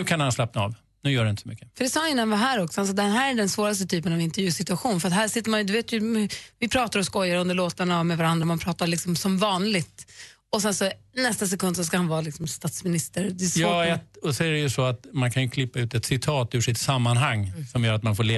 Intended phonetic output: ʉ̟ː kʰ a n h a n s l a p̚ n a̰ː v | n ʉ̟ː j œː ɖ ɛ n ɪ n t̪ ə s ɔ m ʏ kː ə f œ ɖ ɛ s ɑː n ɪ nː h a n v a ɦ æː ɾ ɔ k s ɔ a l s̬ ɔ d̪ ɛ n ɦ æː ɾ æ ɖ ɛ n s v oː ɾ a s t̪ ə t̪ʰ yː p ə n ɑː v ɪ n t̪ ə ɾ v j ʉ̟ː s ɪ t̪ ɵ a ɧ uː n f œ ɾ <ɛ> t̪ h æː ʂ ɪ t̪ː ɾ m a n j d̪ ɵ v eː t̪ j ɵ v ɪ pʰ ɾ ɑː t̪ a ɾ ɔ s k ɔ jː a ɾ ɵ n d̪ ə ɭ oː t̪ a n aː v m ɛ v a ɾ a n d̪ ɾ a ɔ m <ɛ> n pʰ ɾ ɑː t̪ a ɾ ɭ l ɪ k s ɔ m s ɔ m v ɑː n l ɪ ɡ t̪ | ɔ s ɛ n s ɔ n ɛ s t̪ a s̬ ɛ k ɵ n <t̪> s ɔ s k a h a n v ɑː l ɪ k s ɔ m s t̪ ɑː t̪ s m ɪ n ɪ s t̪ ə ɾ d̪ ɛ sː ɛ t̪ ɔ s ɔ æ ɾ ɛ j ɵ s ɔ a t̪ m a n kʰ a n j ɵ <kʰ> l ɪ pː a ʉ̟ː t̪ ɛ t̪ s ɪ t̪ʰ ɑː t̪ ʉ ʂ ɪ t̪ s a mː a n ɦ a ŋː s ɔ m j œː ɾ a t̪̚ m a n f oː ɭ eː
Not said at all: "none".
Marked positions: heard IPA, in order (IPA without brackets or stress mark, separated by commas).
a, a, d̪, kʰ